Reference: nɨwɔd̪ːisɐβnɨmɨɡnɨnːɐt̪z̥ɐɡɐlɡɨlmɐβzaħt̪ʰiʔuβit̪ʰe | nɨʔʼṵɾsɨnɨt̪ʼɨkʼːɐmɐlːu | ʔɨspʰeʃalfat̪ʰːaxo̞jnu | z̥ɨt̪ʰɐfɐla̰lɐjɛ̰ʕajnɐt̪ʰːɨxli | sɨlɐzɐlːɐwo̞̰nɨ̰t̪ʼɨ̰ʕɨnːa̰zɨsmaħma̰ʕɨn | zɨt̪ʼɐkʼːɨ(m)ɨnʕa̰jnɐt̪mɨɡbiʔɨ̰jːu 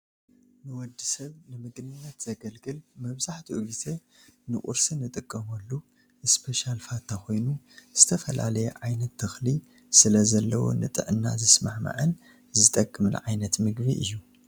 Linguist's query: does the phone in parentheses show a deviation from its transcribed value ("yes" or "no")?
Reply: no